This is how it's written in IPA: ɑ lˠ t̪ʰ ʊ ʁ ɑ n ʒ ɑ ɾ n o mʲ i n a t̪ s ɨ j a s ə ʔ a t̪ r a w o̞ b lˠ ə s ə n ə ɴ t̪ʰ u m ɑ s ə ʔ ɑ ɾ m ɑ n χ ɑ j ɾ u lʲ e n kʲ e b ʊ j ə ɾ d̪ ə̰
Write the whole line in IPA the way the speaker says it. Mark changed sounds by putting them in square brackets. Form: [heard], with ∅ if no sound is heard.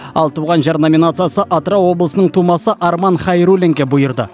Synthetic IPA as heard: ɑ lˠ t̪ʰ [u] ʁ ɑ n ʒ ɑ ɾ n o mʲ i n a t̪ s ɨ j a s ə ʔ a t̪ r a w o̞ b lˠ ə s ə n ə ɴ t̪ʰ u m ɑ s ə ʔ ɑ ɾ m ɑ n χ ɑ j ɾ u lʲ e [ŋ] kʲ e b ʊ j ə ɾ d̪ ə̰